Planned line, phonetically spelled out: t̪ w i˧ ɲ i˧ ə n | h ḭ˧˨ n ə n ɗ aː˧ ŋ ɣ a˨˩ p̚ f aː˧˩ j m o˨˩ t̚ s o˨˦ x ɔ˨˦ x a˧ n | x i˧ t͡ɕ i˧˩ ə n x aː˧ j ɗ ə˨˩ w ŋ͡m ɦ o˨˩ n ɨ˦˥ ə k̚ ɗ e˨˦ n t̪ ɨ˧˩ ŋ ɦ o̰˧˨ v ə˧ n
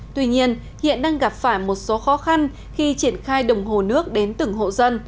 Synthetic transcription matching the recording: t̪ w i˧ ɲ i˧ ə n | h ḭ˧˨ ə n ɗ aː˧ ŋ ɣ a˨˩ p̚ f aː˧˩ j m o˨˩ t̚ s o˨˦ x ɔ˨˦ x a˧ n | x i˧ t͡ɕ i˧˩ ə n x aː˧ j ɗ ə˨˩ w ŋ͡m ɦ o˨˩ n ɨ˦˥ ə k̚ ɗ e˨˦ n t̪ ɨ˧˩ ŋ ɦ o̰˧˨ z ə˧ n